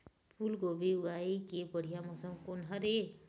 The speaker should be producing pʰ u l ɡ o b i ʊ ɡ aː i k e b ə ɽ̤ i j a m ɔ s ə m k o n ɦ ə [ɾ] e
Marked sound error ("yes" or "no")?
no